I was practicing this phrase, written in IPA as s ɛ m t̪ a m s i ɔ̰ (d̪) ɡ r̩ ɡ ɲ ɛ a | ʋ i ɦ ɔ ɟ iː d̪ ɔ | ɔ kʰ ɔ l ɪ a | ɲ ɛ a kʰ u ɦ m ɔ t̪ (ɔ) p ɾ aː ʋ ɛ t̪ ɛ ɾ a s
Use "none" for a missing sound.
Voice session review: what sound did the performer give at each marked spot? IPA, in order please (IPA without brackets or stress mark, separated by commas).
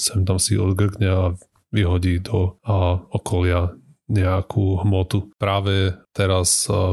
d̪, u